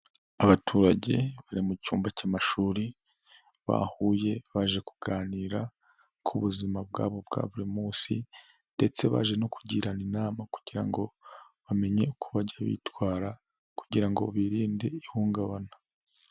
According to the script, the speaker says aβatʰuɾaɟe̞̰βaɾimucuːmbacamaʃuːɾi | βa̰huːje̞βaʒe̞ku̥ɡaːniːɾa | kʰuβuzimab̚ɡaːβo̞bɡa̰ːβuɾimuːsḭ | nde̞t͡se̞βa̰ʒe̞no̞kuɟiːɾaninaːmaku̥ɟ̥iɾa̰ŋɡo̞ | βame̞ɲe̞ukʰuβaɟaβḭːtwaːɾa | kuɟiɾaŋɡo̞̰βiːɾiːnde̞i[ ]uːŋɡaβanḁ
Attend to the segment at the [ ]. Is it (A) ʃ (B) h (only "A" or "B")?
B